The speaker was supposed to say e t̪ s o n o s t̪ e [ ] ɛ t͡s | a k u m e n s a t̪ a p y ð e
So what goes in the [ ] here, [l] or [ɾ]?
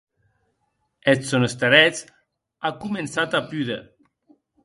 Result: ɾ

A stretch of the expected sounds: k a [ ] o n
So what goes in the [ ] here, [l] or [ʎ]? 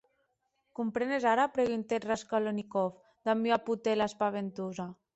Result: l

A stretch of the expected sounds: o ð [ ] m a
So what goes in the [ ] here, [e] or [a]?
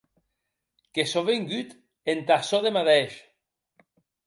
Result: e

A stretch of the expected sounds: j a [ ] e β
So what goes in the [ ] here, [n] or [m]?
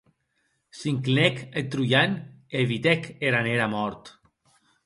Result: n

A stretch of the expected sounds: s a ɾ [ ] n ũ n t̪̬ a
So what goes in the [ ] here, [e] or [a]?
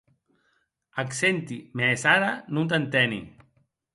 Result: a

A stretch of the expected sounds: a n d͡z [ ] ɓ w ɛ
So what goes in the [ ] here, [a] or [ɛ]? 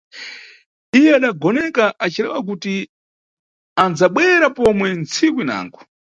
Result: a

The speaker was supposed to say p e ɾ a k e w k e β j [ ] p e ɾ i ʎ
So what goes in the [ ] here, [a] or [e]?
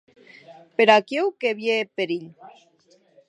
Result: e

